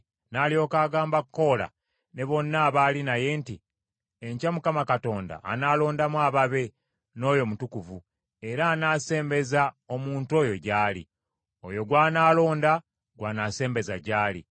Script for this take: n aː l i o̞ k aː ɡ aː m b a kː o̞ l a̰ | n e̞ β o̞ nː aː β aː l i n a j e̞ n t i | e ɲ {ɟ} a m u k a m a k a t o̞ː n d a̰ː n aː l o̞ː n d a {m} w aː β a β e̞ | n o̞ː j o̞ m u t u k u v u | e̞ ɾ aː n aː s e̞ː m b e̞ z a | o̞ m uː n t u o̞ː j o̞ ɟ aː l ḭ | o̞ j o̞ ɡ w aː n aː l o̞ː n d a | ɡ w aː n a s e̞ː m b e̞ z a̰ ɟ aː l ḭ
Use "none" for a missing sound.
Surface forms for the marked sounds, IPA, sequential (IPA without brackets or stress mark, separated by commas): c, m